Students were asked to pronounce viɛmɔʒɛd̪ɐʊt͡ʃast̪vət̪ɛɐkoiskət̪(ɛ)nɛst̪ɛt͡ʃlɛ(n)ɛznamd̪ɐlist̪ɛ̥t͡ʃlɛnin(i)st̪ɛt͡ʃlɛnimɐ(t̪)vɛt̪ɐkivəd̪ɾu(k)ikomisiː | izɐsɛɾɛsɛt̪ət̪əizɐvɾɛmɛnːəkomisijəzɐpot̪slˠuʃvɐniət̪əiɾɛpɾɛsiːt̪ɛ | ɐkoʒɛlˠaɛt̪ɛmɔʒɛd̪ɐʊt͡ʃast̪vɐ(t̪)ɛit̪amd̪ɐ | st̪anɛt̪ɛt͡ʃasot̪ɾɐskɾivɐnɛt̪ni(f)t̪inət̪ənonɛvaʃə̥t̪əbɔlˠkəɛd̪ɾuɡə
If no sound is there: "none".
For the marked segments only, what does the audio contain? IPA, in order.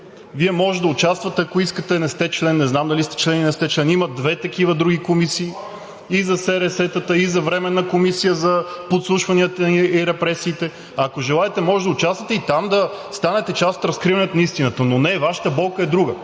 ɛ, nː, ɛ, d̪, ɡ, t̪, s

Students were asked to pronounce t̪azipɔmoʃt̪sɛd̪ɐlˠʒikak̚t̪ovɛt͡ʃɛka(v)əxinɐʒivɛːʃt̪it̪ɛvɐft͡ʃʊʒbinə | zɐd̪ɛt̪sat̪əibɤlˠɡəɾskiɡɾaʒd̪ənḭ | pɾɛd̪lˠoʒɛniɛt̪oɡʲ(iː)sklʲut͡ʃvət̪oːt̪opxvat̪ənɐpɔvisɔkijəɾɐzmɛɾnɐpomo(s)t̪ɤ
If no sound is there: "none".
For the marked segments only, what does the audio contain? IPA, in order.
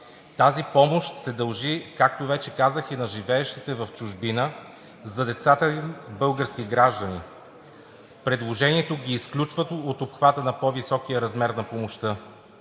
z, iː, ʃ

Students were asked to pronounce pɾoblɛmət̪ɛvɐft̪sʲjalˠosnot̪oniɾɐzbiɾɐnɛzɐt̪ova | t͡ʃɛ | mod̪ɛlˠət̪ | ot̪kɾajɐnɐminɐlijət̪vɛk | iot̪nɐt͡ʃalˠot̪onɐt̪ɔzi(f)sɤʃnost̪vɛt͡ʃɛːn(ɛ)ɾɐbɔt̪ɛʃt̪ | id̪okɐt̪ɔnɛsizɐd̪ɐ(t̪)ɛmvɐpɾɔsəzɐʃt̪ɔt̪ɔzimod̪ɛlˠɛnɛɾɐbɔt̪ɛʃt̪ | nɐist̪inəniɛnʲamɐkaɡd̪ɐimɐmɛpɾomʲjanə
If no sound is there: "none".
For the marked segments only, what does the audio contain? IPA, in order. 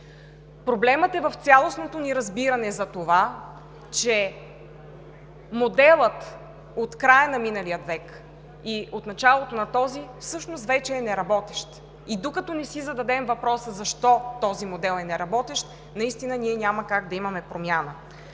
f, ɛ, d̪

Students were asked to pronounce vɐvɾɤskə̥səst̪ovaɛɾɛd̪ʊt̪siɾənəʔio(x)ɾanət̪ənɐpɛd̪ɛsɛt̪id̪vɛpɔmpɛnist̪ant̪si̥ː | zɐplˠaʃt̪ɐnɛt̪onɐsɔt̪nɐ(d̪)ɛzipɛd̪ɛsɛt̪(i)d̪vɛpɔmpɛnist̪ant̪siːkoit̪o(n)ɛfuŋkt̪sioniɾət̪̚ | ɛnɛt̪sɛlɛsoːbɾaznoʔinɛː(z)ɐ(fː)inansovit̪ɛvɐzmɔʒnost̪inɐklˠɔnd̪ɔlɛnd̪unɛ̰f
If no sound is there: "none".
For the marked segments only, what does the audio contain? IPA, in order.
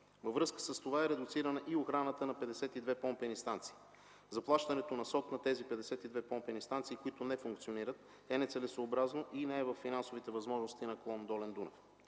x, t̪, i, n, v, fː

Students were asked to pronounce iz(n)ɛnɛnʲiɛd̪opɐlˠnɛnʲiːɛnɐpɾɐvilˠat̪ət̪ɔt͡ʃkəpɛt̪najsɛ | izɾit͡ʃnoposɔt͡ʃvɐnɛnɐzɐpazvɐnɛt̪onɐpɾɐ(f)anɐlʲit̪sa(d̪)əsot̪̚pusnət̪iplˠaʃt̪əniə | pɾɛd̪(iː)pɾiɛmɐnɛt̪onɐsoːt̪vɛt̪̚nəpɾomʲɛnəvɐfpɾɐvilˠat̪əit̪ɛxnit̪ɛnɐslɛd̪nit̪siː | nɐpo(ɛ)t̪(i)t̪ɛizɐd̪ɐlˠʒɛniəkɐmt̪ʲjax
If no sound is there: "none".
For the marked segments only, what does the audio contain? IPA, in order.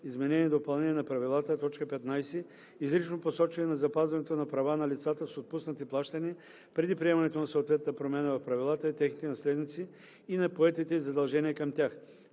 m, v, t̪, i, ɛ, i

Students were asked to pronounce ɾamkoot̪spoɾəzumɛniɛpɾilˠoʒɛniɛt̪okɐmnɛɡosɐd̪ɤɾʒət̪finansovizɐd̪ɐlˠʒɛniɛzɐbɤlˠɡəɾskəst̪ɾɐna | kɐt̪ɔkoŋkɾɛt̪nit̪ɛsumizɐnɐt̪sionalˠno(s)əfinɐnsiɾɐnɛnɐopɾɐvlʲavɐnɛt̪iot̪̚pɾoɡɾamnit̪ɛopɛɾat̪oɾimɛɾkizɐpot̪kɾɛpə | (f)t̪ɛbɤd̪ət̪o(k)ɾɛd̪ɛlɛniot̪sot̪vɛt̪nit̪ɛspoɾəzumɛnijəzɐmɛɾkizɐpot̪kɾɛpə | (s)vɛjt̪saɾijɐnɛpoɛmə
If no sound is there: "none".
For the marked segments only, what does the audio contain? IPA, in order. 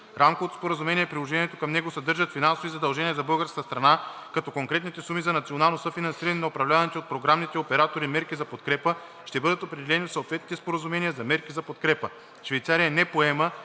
s, ʃ, p, ʃ

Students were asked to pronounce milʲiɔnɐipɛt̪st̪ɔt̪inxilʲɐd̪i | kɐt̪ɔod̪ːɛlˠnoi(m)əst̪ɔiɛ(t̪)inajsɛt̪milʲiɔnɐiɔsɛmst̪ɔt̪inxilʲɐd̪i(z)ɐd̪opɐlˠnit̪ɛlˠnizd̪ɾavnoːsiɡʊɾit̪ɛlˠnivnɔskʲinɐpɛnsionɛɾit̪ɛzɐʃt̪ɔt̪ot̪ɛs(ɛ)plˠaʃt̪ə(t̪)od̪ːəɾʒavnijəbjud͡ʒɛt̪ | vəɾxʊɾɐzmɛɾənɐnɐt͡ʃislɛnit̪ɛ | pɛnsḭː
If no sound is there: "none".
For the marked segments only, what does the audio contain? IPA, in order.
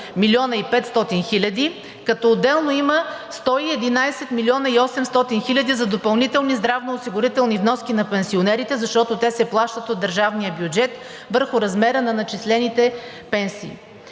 m, d̪, z, ɛ, t̪

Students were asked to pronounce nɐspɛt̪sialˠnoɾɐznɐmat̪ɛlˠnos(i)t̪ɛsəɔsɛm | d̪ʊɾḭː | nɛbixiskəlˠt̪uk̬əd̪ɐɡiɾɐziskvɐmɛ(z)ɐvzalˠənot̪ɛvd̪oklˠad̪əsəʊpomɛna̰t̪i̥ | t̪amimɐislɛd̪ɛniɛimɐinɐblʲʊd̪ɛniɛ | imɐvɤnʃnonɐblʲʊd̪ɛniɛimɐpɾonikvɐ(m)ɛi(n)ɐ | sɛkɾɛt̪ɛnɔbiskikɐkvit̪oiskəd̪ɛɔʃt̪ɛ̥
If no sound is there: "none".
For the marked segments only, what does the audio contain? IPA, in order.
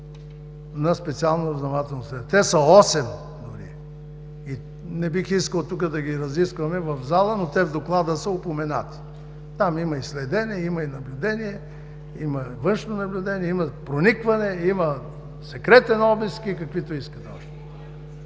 ɛ, v, n, m

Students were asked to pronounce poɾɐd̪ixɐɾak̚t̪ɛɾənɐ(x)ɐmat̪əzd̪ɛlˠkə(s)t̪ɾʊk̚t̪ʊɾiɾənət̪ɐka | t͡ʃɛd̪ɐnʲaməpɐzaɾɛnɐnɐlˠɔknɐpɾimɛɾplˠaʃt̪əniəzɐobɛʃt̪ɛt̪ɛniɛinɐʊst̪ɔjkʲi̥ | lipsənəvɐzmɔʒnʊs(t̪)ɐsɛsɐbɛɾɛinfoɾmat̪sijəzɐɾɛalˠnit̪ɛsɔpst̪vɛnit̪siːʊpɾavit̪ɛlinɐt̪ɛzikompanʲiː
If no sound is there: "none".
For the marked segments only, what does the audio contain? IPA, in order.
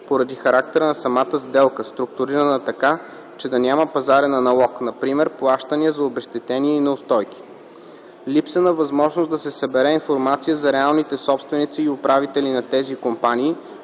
s, s, d̪

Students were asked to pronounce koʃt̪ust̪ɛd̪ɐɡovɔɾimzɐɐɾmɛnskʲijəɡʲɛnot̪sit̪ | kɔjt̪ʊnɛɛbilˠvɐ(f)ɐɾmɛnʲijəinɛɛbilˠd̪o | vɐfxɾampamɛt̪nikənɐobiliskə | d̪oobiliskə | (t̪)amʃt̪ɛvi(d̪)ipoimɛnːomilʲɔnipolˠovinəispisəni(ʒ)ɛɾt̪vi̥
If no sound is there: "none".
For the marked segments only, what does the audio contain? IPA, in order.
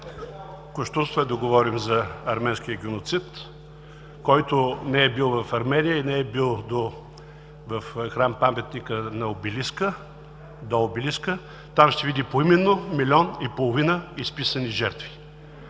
f, t̪, d̪, ʒ

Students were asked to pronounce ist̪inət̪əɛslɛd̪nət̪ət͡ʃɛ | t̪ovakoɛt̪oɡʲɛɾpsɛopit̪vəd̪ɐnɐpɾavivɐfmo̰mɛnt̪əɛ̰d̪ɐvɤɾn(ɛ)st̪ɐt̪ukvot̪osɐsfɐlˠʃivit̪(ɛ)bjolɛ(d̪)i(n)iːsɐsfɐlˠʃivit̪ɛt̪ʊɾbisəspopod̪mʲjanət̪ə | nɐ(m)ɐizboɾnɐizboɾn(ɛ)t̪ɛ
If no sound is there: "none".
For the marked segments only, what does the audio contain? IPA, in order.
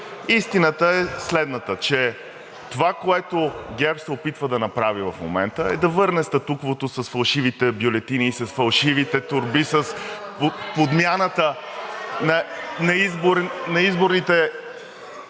ɛ, ɛ, t̪, n, n, i

